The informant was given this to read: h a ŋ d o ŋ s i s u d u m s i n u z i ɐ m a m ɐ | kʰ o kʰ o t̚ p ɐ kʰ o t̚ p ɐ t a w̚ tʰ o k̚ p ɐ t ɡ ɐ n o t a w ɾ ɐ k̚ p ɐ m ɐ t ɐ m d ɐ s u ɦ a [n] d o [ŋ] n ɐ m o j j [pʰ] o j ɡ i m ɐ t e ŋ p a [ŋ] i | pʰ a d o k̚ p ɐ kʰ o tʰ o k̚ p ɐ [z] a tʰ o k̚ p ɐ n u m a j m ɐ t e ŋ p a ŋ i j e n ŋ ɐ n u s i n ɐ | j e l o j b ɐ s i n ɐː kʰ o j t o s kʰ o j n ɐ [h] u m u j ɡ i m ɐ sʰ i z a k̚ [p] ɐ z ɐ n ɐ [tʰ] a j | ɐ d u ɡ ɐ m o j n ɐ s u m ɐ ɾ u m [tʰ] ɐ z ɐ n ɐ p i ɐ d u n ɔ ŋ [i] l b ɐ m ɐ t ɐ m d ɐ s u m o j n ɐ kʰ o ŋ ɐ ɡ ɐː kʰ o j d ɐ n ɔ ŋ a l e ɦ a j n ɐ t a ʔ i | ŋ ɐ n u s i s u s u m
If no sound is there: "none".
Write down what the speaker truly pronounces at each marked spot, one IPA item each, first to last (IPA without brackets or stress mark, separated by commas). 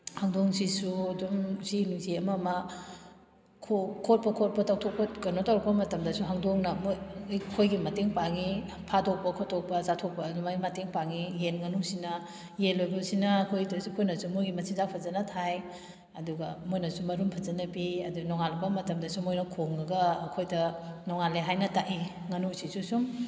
ŋ, ŋ, kʰ, ŋ, z, s, pʰ, tʰ, pʰ, a